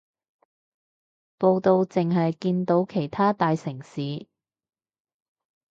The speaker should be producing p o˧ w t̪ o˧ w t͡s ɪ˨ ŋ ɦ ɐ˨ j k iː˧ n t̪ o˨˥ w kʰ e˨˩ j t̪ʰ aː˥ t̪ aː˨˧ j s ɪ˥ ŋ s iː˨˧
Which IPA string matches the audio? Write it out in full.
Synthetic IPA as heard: p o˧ w t̪ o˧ w t͡s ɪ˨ ŋ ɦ ɐ˨ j k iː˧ n t̪ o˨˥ w kʰ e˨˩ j t̪ʰ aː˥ t̪ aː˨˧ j s ɪ˨˩ ŋ s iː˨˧